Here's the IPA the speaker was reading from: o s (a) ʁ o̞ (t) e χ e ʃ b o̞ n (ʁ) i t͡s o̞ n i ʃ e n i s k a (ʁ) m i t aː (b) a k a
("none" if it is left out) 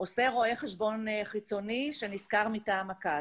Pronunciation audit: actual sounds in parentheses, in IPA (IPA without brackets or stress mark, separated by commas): e, none, χ, ʁ, m